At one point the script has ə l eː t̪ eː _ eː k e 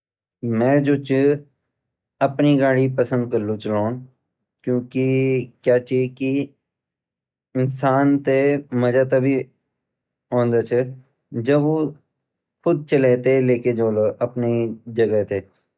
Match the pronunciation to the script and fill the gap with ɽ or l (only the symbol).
l